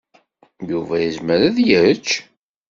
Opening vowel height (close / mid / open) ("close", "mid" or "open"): close